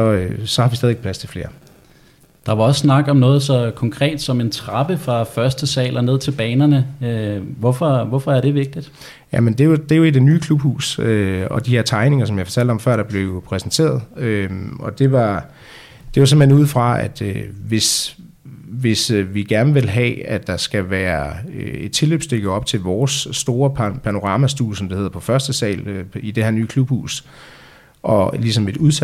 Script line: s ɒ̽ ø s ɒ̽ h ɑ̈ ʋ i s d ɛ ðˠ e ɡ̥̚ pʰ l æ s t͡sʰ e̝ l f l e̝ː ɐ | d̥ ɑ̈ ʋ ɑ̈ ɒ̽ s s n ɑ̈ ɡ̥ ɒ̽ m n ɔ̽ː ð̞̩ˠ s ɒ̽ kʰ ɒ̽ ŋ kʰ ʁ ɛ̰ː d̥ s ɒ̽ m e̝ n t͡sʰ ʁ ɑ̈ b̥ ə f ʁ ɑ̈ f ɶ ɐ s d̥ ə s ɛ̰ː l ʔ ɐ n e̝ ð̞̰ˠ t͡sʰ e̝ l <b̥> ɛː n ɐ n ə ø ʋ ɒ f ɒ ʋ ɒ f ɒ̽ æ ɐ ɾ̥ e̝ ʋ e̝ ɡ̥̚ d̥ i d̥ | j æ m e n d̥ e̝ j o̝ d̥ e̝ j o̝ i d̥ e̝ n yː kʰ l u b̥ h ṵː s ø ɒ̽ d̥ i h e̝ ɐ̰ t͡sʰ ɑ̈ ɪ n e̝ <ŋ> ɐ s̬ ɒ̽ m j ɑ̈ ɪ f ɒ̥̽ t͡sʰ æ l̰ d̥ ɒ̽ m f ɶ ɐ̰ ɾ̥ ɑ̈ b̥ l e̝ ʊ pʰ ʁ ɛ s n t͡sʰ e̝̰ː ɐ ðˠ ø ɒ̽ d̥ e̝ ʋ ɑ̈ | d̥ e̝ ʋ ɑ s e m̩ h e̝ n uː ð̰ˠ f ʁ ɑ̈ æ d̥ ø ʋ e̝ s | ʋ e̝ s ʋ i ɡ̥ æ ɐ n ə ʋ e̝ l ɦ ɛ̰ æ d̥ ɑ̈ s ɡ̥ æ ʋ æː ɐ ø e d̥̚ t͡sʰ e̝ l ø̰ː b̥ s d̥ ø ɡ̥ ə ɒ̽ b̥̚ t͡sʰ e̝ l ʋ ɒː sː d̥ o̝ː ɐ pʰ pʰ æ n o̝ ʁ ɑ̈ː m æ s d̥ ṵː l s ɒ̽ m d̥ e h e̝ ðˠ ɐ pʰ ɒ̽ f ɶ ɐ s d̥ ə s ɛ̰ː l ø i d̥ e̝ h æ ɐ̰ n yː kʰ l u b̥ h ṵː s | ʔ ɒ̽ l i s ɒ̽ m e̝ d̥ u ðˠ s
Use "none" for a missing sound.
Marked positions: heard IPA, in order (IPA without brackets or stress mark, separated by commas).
b̥, ŋ